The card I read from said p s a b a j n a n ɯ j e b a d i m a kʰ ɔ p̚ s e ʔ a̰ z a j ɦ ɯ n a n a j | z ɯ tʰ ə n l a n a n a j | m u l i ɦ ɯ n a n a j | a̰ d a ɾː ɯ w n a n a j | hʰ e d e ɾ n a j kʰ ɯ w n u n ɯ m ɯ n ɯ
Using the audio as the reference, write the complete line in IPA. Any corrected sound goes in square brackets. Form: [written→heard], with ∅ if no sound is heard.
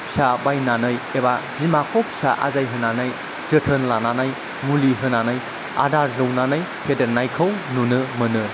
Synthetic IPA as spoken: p s a b a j n a n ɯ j e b a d i m a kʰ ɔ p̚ s [e→a] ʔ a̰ z a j ɦ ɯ n a n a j | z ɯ tʰ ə n l a n a n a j | m u l i ɦ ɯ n a n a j | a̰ d a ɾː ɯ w n a n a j | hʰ e d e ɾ n a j kʰ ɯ w n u n ɯ m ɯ n ɯ